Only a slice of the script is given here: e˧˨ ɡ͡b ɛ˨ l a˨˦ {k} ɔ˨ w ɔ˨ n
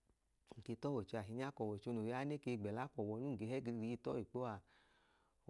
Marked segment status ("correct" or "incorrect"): correct